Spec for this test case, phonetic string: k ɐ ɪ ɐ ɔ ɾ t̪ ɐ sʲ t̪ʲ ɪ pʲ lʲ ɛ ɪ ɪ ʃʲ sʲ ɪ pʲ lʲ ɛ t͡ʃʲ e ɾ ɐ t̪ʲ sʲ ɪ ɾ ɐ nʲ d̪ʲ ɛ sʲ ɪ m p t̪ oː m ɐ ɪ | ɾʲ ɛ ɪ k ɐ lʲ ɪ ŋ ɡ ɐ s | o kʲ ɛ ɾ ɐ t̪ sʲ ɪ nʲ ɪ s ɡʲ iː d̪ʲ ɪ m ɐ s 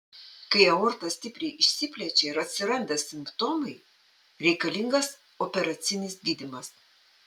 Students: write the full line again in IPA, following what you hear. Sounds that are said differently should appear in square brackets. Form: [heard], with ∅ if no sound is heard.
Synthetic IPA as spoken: k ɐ ɪ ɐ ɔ ɾ t̪ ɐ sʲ t̪ʲ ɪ pʲ [ɾʲ] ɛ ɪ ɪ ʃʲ sʲ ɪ pʲ lʲ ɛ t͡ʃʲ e ɾ ɐ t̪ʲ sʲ ɪ ɾ ɐ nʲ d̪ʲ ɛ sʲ ɪ m p t̪ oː m ɐ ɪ | ɾʲ ɛ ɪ k ɐ lʲ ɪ ŋ ɡ ɐ s | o [pʲ] ɛ ɾ ɐ t̪ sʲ ɪ nʲ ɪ s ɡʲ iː d̪ʲ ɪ m ɐ s

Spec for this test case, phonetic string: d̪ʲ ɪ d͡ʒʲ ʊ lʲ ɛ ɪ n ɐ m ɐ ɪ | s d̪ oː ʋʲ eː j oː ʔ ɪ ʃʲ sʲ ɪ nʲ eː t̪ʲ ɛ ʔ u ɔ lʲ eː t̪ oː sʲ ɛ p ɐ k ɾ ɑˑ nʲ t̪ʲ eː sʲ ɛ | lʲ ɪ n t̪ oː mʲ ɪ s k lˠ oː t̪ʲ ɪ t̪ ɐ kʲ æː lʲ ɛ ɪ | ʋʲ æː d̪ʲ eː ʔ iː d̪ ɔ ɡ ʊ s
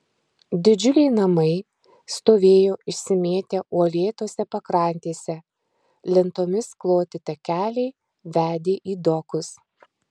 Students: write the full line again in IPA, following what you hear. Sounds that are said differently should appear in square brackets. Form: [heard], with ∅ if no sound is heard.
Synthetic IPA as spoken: d̪ʲ ɪ d͡ʒʲ ʊ lʲ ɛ ɪ n ɐ m ɐ ɪ | s [t̪] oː ʋʲ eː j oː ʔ ɪ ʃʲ sʲ ɪ [mʲ] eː t̪ʲ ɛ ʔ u ɔ lʲ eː t̪ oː sʲ ɛ p ɐ k ɾ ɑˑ nʲ t̪ʲ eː sʲ ɛ | lʲ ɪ n t̪ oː mʲ ɪ s k lˠ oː t̪ʲ ɪ t̪ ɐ kʲ æː lʲ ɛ ɪ | ʋʲ æː d̪ʲ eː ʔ iː d̪ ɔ [k] ʊ s

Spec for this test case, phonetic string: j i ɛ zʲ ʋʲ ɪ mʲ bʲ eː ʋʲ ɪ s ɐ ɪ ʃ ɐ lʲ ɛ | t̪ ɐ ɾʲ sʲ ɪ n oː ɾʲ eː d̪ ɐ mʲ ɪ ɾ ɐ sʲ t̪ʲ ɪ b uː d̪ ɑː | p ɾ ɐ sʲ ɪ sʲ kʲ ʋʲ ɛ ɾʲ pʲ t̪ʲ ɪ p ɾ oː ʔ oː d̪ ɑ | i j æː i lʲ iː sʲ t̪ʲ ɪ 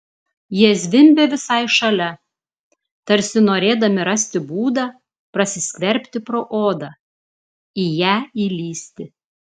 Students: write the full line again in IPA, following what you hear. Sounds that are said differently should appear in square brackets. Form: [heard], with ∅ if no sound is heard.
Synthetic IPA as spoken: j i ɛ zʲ ʋʲ ɪ mʲ bʲ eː ʋʲ ɪ s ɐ ɪ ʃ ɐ lʲ ɛ | t̪ ɐ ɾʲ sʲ ɪ n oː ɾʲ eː d̪ ɐ mʲ ɪ ɾ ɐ sʲ t̪ʲ ɪ b uː d̪ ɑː | p ɾ ɐ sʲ ɪ sʲ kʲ ʋʲ ɛ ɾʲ pʲ t̪ʲ ɪ p ɾ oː ʔ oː d̪ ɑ | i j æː i lʲ iː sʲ t̪ʲ ɪ

